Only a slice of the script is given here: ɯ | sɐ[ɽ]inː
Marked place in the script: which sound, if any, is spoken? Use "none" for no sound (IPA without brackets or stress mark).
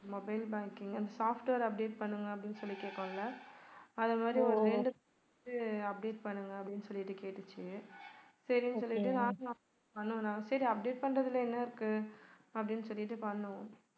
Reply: ɾ